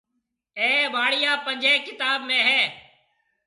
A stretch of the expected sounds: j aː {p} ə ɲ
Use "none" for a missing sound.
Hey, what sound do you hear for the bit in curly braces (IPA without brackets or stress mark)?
p